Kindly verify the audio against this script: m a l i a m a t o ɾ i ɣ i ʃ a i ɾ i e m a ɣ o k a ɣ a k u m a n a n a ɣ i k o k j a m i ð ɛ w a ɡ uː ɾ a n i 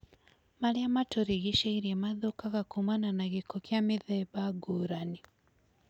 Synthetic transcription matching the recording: m a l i a m a t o ɾ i ɣ i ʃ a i ɾ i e m a ð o k a ɣ a k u m a n a n a ɣ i k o k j a m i ð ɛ β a ɡ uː ɾ a n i